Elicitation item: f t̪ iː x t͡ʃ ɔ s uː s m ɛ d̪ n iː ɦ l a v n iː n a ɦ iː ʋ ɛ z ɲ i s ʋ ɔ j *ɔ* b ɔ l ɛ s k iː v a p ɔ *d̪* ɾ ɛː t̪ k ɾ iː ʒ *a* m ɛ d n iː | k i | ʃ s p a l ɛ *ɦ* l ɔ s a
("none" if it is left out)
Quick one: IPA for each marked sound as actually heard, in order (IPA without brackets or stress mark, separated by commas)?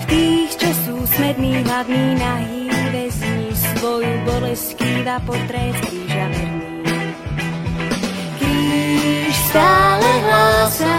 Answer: u, t̪, a, ɦ